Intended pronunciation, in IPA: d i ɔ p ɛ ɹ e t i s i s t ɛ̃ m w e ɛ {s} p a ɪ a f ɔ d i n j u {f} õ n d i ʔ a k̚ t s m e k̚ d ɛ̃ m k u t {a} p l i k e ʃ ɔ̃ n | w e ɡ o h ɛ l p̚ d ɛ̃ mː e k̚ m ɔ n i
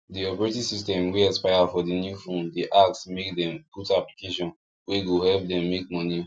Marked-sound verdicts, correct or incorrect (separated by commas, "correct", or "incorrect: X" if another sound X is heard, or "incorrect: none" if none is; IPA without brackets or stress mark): correct, correct, correct